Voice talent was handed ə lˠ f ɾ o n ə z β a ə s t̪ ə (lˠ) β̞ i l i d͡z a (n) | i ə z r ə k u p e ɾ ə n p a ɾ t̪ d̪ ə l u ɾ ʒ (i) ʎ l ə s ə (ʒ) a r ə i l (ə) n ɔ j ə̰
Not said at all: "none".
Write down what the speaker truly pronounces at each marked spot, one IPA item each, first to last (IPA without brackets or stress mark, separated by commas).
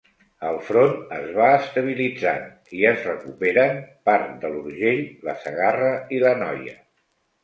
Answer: none, n, e, ɣ, ə